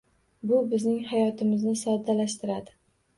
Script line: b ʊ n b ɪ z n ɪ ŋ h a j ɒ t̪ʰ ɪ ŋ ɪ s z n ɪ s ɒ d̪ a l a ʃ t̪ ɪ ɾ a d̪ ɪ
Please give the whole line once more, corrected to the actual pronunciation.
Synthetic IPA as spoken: b ʊ b ɪ z n ɪ ŋ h a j ɒ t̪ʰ ɪ m ɪ z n ɪ s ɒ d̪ a l a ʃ t̪ ɪ ɾ a d̪ ɪ

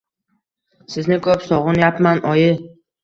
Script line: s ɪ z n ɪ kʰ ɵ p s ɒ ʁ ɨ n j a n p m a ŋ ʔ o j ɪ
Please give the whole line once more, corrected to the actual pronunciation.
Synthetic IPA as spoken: s ɪ z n ɪ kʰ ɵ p s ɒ ʁ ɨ n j a p m a n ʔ ɒ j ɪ

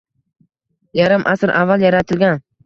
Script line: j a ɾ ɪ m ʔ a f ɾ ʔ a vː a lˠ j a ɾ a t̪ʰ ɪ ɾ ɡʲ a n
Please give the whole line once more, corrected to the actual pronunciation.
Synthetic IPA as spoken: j a ɾ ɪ m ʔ a s ɾ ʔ a vː a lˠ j a ɾ a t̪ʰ ɪ l ɡʲ a n

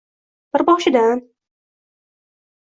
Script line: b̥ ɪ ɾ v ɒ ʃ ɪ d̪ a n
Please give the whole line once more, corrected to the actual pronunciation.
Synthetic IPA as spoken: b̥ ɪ ɾ b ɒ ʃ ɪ d̪ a n

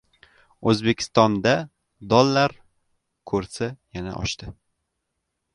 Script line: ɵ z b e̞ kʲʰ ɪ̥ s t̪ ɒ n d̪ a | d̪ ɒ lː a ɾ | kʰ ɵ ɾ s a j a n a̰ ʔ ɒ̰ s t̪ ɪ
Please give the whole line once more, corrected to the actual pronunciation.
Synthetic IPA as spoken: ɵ z b e̞ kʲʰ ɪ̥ s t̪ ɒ n d̪ a | d̪ ɒ lː a ɾ | kʰ ɵ ɾ s a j a n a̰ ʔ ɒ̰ ʃ t̪ ɪ

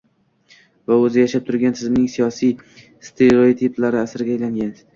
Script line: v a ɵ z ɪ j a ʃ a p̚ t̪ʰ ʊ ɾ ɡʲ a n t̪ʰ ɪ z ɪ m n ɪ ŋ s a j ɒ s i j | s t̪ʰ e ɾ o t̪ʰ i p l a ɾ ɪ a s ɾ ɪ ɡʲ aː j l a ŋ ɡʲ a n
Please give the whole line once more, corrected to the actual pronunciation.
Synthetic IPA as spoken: v a ɵ z ɪ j a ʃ a p̚ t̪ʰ ʊ ɾ ɡʲ a n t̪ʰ ɪ z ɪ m n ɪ ŋ s i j ɒ s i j | s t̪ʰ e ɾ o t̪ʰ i p l a ɾ ɪ a s ɾ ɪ ɡʲ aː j l a ŋ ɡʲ a n

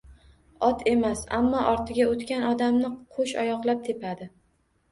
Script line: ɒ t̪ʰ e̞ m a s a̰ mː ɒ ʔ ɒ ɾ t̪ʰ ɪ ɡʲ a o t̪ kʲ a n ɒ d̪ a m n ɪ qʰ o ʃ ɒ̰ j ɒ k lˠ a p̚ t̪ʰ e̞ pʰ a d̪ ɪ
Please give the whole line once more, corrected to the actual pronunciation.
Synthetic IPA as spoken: ɒ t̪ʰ e̞ m a s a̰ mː ɒ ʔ ɒ ɾ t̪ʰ ɪ ɡʲ a o t̪ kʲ a n ɒ d̪ a m n ɪ qʰ o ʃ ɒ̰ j ɒ q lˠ a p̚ t̪ʰ e̞ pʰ a d̪ ɪ

